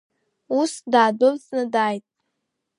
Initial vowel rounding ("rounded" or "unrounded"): rounded